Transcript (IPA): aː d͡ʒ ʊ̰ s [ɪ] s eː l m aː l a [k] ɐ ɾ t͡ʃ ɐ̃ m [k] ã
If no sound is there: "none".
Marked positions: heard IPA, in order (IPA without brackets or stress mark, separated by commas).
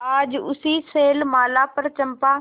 i, p, p